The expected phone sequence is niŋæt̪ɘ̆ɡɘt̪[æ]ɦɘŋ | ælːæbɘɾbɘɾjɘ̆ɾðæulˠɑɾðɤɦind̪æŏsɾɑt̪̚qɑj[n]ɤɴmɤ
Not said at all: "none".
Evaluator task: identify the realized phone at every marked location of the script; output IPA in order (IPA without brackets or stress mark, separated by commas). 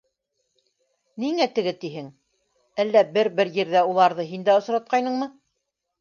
i, n